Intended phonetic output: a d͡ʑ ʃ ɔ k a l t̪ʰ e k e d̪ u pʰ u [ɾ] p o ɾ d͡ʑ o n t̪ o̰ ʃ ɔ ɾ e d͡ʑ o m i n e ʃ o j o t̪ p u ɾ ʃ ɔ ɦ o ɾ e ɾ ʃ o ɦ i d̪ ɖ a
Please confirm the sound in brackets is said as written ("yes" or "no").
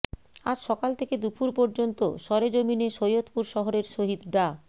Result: yes